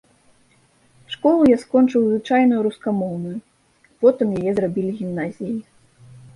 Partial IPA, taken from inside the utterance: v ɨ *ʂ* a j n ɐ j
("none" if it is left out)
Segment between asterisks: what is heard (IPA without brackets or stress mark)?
t͡ʂ